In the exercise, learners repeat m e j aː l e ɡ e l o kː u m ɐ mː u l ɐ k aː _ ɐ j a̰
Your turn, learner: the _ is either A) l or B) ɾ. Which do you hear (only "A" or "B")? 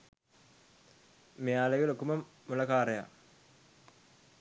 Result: B